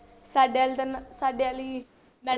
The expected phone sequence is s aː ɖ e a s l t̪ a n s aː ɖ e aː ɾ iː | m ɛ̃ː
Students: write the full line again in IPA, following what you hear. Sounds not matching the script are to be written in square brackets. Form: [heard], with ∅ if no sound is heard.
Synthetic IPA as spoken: s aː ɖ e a [∅] l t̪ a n s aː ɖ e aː [l] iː | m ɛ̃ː